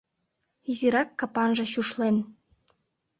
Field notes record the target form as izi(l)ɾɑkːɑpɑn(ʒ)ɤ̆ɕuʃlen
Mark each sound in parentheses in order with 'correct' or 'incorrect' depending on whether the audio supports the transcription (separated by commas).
incorrect, correct